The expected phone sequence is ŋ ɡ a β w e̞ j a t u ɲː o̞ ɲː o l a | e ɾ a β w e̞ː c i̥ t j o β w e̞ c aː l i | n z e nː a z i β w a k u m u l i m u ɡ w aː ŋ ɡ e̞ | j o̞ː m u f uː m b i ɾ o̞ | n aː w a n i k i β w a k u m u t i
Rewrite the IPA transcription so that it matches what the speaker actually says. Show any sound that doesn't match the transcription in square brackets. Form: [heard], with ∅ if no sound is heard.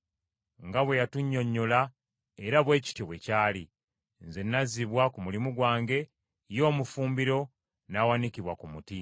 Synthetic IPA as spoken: ŋ ɡ a β w e̞ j a t u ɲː o̞ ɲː o l a | e ɾ a β w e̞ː c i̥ t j o β w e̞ c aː l i | n z e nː a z i β w a k u m u l i m u ɡ w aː ŋ ɡ e̞ | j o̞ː m u f uː m b i ɾ o̞ | n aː w a n i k i β w a k u m u t i